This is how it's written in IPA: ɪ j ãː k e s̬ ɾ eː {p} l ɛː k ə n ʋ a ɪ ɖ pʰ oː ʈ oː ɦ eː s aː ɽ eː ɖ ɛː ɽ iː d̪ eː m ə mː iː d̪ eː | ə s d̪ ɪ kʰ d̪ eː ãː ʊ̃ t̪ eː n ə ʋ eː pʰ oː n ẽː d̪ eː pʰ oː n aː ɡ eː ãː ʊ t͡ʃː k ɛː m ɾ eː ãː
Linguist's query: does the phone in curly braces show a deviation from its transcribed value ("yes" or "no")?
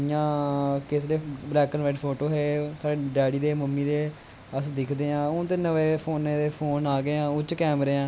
yes